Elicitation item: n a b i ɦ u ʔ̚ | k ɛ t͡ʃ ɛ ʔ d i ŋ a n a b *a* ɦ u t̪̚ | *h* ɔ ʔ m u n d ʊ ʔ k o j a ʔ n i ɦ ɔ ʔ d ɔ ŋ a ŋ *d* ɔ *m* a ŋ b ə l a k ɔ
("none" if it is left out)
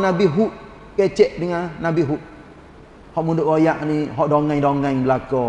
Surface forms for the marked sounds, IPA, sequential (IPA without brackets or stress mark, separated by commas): i, h, d, ŋ